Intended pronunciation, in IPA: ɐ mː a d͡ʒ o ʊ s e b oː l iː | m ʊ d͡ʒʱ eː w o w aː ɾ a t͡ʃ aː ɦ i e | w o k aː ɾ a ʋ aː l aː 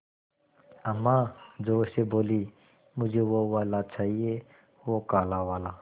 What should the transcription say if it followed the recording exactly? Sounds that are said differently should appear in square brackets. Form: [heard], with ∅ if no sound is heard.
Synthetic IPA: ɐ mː a d͡ʒ o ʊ s e b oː l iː | m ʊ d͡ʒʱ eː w o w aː [l] a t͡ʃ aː ɦ i e | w o k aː [l] a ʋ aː l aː

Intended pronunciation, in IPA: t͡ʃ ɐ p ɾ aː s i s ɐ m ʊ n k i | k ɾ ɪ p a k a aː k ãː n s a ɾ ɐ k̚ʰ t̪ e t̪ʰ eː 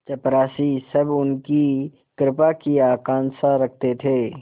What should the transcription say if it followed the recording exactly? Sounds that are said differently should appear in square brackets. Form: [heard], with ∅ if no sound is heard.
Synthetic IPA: t͡ʃ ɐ p ɾ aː s i s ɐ [b] ʊ n k i | k ɾ ɪ p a k [i] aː k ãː n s a ɾ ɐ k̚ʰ t̪ e t̪ʰ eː

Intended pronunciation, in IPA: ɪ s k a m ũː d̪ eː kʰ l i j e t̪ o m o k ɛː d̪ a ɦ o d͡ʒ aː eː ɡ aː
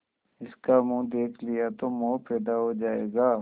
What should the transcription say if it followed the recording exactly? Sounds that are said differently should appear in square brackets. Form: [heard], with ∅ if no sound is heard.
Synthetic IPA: ɪ s k a m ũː d̪ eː kʰ l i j [a] t̪ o m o [p] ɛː d̪ a ɦ o d͡ʒ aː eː ɡ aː

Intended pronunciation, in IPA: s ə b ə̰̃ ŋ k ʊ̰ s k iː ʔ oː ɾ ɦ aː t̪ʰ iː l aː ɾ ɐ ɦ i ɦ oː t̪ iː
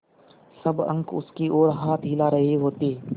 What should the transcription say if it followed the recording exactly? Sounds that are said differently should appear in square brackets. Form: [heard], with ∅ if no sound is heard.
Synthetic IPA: s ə b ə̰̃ ŋ k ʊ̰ s k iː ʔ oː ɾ ɦ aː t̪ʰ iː l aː ɾ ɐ ɦ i ɦ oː t̪ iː

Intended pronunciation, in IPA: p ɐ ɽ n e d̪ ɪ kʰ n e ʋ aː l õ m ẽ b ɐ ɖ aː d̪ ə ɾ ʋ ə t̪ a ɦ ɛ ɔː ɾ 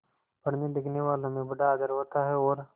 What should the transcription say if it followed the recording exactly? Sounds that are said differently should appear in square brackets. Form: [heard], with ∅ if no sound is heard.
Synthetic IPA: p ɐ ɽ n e d̪ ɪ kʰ n e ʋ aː l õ m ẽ b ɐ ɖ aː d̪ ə ɾ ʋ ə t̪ a ɦ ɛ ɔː ɾ

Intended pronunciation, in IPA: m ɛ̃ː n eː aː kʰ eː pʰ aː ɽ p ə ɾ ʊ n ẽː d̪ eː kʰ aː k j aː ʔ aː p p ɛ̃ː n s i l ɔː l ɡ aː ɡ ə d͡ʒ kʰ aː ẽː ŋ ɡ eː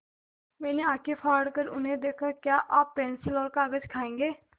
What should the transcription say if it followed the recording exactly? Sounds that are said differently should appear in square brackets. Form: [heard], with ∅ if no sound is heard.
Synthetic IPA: m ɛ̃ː n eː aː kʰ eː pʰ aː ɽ [k] ə ɾ ʊ n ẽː d̪ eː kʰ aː k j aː ʔ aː p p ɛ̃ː n s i l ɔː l [k] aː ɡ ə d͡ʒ kʰ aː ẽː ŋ ɡ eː

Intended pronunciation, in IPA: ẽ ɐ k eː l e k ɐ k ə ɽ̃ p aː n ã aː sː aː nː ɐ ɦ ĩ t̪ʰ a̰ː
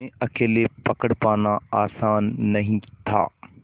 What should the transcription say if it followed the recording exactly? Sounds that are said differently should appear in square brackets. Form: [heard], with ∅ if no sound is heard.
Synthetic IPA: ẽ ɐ k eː l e [p] ɐ k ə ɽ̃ p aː n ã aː [s] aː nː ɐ ɦ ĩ t̪ʰ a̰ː

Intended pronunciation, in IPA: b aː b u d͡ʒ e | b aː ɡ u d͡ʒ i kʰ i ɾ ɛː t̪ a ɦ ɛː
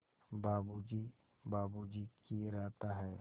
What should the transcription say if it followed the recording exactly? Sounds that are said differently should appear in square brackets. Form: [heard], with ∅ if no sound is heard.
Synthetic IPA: b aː b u d͡ʒ [i] | b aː [b] u d͡ʒ i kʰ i ɾ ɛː t̪ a ɦ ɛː

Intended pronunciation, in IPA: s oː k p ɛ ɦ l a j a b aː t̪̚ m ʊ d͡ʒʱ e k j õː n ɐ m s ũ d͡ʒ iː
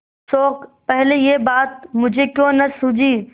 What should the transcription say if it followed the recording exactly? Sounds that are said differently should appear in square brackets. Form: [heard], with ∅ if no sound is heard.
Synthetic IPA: s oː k p ɛ ɦ l [e] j [e] b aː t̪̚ m ʊ d͡ʒʱ e k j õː n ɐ [∅] s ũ d͡ʒ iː

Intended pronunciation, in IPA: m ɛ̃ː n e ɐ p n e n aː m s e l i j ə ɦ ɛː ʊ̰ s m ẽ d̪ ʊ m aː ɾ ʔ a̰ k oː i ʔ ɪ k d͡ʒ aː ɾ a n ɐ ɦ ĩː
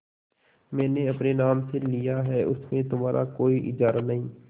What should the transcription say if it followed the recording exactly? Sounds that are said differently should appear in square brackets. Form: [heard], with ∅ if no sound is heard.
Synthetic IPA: m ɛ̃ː n e ɐ p n e n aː m s e l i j [a] ɦ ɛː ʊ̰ s m ẽ [t̪] ʊ m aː ɾ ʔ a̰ k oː i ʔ ɪ [∅] d͡ʒ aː ɾ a n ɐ ɦ ĩː

